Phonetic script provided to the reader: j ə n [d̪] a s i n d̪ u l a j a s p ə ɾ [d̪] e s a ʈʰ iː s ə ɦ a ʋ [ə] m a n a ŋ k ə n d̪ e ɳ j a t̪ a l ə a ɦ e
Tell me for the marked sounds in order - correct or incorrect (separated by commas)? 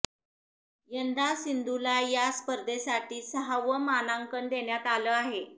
correct, correct, correct